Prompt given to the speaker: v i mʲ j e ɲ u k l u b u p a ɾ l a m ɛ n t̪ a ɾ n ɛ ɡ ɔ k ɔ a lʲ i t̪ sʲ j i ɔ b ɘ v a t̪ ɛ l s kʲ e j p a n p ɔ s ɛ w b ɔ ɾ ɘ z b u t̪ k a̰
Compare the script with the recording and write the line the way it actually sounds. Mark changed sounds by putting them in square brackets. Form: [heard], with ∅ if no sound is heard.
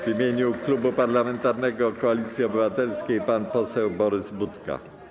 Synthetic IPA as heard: v i mʲ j e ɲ u k l u b u p a ɾ l a m ɛ n t̪ a ɾ n ɛ ɡ ɔ k ɔ a lʲ i t̪ sʲ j i ɔ b ɘ v a t̪ ɛ l s kʲ e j p a n p ɔ s ɛ w b ɔ ɾ ɘ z b u t̪ k a̰